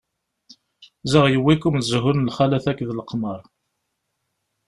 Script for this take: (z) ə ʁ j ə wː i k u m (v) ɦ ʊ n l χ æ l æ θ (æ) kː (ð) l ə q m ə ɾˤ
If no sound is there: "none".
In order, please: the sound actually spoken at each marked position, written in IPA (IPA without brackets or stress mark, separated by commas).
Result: z, z, æ, ð